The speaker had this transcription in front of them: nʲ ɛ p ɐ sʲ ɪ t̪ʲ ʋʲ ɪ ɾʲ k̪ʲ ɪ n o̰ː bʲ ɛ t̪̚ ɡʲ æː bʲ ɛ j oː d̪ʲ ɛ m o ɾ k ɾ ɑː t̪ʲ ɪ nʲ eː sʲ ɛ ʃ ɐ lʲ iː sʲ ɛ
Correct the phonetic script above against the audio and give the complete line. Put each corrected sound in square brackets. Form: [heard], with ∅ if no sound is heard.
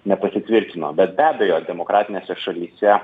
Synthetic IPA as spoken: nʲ ɛ p ɐ sʲ ɪ t̪ʲ ʋʲ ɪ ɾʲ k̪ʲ ɪ n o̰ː bʲ ɛ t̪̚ [bʲ] æː bʲ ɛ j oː d̪ʲ ɛ m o [∅] k ɾ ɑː t̪ʲ ɪ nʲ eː sʲ ɛ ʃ ɐ lʲ iː sʲ ɛ

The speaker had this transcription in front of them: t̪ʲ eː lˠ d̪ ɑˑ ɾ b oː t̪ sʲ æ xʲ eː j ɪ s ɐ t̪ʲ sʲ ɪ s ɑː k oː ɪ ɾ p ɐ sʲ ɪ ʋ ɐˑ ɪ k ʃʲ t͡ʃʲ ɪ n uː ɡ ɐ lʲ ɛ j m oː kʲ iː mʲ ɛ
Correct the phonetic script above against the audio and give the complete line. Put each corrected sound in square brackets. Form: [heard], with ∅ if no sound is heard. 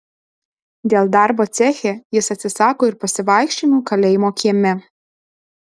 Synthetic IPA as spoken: [d̪ʲ] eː lˠ d̪ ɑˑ ɾ b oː t̪ sʲ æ xʲ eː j ɪ s ɐ t̪ʲ sʲ ɪ s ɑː k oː ɪ ɾ p ɐ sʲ ɪ ʋ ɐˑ ɪ k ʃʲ t͡ʃʲ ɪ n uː [k] ɐ lʲ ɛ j m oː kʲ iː mʲ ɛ

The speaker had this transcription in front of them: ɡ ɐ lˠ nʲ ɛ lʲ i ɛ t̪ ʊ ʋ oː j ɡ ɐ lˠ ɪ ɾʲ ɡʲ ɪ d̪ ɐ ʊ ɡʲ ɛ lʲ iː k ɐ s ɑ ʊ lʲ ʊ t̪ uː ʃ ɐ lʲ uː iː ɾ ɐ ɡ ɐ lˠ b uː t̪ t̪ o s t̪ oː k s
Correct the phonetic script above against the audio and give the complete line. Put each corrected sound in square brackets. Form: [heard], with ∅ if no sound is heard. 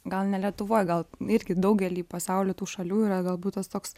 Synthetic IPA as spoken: ɡ ɐ lˠ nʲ ɛ lʲ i ɛ t̪ ʊ ʋ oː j ɡ ɐ lˠ ɪ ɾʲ ɡʲ ɪ d̪ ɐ ʊ ɡʲ ɛ lʲ iː [p] ɐ s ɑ ʊ lʲ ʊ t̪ uː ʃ ɐ lʲ uː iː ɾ ɐ ɡ ɐ lˠ b uː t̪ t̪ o s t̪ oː k s

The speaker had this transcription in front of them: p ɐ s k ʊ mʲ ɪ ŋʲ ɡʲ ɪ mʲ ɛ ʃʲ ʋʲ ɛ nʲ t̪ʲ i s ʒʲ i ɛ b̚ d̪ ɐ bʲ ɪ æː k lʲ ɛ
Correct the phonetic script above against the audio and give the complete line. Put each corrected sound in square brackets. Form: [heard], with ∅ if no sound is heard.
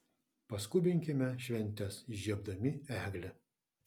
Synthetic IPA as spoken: p ɐ s k ʊ [bʲ] ɪ ŋʲ [kʲ] ɪ mʲ ɛ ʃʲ ʋʲ ɛ nʲ t̪ʲ [ɛ] s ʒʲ i ɛ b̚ d̪ ɐ [mʲ] ɪ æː [ɡ] lʲ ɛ

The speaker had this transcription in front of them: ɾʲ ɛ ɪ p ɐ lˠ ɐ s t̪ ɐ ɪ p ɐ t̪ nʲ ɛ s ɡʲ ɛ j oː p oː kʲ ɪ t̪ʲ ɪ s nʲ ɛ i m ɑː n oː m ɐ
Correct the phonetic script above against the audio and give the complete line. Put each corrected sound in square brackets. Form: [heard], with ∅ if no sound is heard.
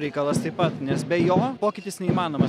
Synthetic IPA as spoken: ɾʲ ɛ ɪ [k] ɐ lˠ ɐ s t̪ ɐ ɪ p ɐ t̪ nʲ ɛ s [bʲ] ɛ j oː p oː kʲ ɪ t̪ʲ ɪ s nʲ ɛ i m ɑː n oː m ɐ

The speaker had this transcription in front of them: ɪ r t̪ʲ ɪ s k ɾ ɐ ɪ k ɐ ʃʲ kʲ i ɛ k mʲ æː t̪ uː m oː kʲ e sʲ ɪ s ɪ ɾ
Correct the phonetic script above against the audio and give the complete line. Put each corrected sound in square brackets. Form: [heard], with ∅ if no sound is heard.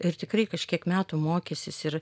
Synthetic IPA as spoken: ɪ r t̪ʲ ɪ [∅] k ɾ ɐ ɪ k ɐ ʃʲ kʲ i ɛ k mʲ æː t̪ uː m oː kʲ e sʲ ɪ s ɪ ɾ

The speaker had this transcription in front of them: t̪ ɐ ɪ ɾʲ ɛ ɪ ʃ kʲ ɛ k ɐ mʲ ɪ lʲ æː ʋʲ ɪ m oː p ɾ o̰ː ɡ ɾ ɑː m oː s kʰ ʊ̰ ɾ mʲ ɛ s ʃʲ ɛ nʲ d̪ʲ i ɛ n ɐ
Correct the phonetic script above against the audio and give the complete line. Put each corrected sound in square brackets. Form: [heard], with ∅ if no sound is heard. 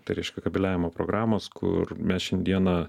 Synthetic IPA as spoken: t̪ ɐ ɪ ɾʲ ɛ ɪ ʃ kʲ ɛ k ɐ [bʲ] ɪ lʲ æː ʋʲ ɪ m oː p ɾ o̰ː ɡ ɾ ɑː m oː s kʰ ʊ̰ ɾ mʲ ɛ s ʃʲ ɛ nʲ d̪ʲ i ɛ n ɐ

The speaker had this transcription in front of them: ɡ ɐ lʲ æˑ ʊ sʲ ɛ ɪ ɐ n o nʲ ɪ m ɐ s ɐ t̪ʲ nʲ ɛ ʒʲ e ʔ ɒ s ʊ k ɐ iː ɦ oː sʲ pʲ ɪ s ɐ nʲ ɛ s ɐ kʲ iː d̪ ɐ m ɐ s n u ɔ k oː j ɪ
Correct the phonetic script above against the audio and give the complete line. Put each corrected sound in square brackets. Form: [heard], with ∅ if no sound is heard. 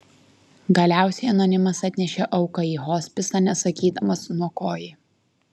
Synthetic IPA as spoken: ɡ ɐ lʲ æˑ ʊ sʲ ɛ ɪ ɐ n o nʲ ɪ m ɐ s ɐ t̪ʲ nʲ ɛ [ʃʲ] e ʔ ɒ [∅] ʊ k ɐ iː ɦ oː sʲ pʲ ɪ s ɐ nʲ ɛ s ɐ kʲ iː d̪ ɐ m ɐ s n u ɔ k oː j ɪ

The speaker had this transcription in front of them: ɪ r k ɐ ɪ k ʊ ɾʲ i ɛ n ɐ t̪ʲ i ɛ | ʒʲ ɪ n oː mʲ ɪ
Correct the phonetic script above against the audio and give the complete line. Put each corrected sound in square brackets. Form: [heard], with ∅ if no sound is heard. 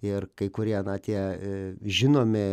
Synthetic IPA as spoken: ɪ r k ɐ ɪ k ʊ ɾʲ i ɛ n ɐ t̪ʲ i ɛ | ʒʲ ɪ n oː mʲ ɪ

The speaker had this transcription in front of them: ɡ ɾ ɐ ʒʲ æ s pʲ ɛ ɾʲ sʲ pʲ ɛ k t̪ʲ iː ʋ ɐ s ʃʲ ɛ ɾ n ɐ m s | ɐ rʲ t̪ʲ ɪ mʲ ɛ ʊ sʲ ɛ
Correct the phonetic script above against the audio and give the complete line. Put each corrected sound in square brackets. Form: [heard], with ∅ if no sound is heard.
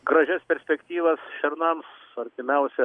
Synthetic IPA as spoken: ɡ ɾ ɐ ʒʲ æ s pʲ ɛ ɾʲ sʲ pʲ ɛ k t̪ʲ iː ʋ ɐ s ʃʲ ɛ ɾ n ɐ m s | ɐ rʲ t̪ʲ ɪ mʲ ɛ ʊ sʲ ɛ

